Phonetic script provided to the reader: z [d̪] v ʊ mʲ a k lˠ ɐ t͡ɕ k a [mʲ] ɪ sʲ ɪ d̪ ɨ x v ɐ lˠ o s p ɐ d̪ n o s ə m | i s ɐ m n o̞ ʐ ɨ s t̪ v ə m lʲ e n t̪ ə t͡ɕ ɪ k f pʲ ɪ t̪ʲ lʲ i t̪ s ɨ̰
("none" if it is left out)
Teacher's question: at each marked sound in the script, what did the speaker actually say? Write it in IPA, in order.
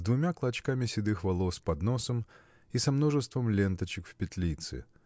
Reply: d̪, mʲ

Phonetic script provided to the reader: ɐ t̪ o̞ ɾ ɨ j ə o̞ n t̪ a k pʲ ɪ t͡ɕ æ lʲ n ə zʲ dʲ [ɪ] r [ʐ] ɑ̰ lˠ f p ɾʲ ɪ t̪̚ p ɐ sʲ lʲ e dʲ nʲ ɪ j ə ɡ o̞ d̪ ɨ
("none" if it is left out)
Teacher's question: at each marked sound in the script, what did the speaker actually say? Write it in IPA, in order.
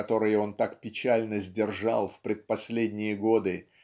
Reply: ɪ, ʐ

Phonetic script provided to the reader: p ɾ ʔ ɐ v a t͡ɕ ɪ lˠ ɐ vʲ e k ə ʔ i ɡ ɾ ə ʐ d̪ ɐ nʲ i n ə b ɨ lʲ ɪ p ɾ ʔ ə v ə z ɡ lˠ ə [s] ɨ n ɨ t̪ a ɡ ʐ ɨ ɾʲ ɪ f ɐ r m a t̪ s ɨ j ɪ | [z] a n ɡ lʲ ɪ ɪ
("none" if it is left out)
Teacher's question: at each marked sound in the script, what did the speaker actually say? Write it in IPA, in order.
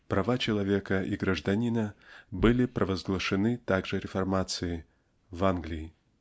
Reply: ʂ, v

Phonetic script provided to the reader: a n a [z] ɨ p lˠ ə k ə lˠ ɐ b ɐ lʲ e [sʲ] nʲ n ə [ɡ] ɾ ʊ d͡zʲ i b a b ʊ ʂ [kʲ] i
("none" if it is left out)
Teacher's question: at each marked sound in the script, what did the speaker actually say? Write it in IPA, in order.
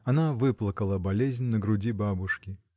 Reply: v, zʲ, ɡ, kʲ

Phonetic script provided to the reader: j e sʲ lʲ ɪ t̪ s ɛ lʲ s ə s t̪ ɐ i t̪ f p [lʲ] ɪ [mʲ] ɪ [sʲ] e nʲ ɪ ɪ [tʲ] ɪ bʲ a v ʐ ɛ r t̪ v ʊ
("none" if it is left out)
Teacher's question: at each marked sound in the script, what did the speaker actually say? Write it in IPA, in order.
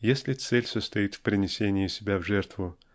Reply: ɾʲ, nʲ, sʲ, sʲ

